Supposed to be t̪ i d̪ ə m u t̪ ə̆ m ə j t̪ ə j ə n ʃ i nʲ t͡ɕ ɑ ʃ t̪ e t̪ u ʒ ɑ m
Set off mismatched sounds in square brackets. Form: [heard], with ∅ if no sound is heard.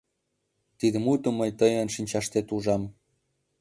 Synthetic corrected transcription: t̪ i d̪ ə m u t̪ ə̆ m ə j t̪ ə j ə n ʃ i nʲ t͡ɕ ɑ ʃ t̪ e t̪ u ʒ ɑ m